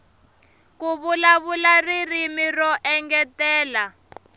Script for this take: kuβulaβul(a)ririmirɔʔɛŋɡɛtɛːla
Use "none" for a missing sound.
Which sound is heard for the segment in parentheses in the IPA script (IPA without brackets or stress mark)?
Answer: a